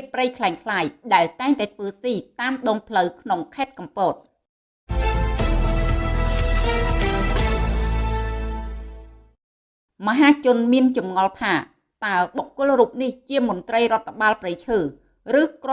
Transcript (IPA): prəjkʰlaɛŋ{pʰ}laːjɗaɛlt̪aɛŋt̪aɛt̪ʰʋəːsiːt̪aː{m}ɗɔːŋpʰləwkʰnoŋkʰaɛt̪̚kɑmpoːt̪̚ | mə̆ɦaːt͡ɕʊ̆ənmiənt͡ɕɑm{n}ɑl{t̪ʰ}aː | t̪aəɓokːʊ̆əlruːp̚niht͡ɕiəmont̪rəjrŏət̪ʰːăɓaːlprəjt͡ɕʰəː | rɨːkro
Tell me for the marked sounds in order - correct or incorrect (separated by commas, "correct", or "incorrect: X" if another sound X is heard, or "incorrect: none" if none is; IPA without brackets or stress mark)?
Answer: incorrect: kʰ, correct, incorrect: ŋ, correct